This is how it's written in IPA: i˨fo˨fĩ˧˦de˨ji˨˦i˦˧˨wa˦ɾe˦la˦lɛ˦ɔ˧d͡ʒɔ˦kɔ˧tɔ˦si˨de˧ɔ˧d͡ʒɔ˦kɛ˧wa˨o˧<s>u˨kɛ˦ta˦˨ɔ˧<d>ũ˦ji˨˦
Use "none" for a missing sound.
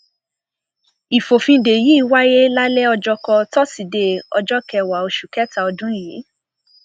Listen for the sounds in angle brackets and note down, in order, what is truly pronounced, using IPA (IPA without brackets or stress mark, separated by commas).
ʃ, d